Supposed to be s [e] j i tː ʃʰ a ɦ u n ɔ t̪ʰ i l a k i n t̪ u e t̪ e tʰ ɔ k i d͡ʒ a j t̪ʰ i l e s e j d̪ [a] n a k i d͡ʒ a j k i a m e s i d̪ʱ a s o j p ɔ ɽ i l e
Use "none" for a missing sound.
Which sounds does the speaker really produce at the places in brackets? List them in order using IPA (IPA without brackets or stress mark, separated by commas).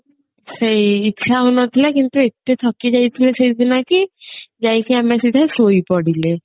e, i